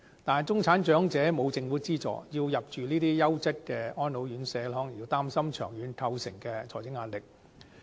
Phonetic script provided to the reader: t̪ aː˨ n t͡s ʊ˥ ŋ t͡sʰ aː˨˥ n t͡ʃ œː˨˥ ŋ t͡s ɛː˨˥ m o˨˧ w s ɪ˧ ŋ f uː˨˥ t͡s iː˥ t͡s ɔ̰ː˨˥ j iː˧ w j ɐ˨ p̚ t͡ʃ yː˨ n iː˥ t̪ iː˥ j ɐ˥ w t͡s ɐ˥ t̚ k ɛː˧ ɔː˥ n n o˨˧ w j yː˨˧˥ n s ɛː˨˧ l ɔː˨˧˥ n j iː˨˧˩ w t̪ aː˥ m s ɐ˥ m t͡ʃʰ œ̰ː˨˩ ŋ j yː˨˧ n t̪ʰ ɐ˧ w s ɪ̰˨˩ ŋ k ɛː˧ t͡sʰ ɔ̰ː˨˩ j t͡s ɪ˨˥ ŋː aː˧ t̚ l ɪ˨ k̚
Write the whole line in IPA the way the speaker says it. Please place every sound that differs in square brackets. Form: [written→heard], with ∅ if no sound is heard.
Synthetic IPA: t̪ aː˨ n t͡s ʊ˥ ŋ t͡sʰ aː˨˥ n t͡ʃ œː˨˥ ŋ t͡s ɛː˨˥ m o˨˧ w [s→t͡s] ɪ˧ ŋ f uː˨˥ t͡s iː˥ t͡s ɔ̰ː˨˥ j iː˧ w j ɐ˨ p̚ t͡ʃ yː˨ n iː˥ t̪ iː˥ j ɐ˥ w t͡s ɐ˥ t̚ k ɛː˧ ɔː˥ n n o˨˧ w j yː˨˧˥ n s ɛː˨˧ l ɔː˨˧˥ [n→ŋ] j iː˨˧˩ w t̪ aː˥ m s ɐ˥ m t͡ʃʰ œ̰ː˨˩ ŋ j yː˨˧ n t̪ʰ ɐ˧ w s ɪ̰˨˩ ŋ k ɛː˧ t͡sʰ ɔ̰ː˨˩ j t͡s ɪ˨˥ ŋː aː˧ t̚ l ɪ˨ k̚

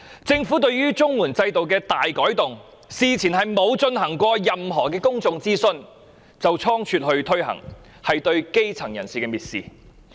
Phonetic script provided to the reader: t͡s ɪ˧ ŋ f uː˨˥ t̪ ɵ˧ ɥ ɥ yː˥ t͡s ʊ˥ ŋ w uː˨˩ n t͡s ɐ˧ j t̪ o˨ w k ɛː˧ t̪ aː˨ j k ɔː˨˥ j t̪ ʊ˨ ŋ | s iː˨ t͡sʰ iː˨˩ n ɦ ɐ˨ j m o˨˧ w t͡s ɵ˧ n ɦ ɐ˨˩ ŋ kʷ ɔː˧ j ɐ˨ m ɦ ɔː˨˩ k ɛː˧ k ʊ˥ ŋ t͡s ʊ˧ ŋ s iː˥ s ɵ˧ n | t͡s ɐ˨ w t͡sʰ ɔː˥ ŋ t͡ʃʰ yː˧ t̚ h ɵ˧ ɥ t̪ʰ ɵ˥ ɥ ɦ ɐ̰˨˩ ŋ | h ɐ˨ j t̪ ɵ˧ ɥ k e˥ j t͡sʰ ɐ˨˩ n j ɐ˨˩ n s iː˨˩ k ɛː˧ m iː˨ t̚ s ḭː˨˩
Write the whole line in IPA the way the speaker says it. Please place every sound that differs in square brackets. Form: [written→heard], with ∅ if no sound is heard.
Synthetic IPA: t͡s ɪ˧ ŋ f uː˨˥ t̪ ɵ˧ ɥ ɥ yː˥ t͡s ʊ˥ ŋ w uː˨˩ n t͡s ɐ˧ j t̪ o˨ w k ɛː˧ t̪ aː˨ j k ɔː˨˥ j t̪ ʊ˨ ŋ | s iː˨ t͡sʰ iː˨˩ n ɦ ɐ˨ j m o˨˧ w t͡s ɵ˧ n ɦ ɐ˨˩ ŋ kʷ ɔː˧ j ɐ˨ m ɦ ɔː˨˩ k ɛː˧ k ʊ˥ ŋ t͡s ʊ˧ ŋ [s→t͡s] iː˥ s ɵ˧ n | t͡s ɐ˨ w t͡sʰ ɔː˥ ŋ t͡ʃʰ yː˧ t̚ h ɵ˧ ɥ t̪ʰ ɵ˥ ɥ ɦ ɐ̰˨˩ ŋ | h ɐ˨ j t̪ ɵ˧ ɥ k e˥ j t͡sʰ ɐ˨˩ [n→ŋ] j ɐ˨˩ n s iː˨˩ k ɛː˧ m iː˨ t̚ s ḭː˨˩

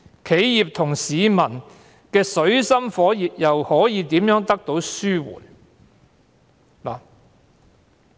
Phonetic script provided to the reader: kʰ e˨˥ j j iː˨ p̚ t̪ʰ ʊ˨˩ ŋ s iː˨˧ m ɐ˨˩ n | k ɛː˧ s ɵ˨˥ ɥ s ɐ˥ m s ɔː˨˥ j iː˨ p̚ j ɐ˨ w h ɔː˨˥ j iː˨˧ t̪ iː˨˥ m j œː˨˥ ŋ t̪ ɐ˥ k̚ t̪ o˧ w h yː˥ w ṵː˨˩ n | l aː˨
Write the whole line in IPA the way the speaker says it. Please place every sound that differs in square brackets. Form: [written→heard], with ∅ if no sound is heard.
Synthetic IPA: kʰ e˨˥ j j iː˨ p̚ t̪ʰ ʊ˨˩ ŋ s iː˨˧ m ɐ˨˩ n | k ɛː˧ s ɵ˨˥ ɥ s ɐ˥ m [s→f] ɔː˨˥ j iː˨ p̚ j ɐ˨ w h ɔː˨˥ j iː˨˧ t̪ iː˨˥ m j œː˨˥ ŋ t̪ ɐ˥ k̚ t̪ [o˧→o˨˥] w [h→s] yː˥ w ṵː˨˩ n | l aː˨

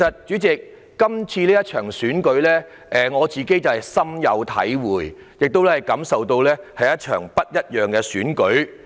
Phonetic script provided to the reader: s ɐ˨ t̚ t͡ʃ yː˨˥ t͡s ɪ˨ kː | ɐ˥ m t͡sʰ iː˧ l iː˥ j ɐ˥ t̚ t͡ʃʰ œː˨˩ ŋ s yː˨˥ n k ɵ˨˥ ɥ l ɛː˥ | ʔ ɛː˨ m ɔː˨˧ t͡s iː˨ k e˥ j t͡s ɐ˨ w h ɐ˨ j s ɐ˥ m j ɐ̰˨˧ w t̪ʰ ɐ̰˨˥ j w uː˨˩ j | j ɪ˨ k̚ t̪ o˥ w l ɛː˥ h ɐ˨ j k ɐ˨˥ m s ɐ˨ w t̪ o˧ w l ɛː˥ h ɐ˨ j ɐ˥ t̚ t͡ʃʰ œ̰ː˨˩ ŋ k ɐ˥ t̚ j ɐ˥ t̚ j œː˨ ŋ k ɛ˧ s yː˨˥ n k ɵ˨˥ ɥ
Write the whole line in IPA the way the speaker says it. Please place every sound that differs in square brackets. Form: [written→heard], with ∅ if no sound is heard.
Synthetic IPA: s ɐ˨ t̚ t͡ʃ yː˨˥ t͡s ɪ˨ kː | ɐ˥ m t͡sʰ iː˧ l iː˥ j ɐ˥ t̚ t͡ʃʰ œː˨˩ ŋ s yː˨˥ n k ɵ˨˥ ɥ l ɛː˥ | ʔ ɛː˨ [m→ŋ] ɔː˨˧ t͡s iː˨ k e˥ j t͡s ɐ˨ w h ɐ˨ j s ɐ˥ m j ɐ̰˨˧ w t̪ʰ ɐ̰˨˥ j w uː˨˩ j | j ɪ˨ k̚ t̪ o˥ w l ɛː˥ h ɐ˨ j k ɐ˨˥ m s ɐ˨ w t̪ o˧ w l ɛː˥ h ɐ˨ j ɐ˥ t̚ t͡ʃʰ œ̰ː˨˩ ŋ [k→p] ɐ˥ t̚ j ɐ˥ t̚ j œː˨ ŋ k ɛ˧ s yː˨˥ n k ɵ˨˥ ɥ

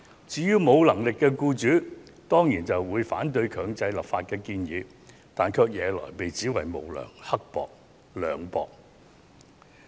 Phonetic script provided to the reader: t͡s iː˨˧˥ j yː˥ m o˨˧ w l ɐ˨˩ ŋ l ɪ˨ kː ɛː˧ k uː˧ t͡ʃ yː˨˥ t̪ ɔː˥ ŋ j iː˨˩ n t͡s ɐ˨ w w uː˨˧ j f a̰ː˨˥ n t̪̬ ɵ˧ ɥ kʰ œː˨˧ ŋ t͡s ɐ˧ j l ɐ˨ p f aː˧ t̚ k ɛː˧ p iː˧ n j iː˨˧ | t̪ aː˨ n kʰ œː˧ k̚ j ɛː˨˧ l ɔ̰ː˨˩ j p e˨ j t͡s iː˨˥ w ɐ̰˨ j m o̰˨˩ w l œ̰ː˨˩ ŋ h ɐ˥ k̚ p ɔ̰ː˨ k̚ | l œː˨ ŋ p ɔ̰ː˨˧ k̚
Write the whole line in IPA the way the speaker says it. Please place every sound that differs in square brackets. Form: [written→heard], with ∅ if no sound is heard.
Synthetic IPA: t͡s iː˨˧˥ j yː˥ m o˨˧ w l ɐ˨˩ ŋ l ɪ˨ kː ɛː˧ k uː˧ t͡ʃ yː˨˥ t̪ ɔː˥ ŋ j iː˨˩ n t͡s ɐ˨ w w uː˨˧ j f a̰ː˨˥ n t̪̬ ɵ˧ ɥ kʰ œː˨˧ ŋ t͡s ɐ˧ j l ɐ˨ p f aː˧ t̚ k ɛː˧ [p→k] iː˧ n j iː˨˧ | t̪ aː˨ n kʰ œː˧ k̚ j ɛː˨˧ l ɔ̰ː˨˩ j p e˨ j t͡s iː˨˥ w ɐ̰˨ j m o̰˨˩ w l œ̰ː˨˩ ŋ h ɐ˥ k̚ p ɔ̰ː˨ k̚ | l œː˨ ŋ p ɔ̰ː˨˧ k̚

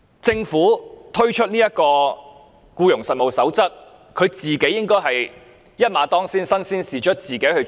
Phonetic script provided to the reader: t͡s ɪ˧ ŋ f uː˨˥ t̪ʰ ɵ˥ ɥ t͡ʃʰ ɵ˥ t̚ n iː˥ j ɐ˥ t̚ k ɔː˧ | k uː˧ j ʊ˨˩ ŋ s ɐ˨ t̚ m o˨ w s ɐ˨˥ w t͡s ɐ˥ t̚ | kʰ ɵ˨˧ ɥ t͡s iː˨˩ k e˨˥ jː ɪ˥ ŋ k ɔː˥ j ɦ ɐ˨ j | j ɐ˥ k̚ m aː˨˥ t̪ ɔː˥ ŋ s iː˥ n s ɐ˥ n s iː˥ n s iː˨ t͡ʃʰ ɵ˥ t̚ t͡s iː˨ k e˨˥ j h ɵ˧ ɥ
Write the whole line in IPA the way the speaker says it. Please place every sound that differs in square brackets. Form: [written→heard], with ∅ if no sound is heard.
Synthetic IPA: t͡s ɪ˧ ŋ f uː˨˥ t̪ʰ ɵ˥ ɥ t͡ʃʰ ɵ˥ t̚ n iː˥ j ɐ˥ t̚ k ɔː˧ | k uː˧ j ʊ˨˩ ŋ s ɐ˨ t̚ m o˨ w s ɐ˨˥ w t͡s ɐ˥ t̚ | kʰ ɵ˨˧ ɥ t͡s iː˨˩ k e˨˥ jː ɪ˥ ŋ k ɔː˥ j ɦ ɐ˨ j | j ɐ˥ [k̚→t̚] m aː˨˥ t̪ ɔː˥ ŋ s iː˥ n s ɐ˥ n s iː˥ n s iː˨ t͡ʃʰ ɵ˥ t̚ t͡s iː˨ k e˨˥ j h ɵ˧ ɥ

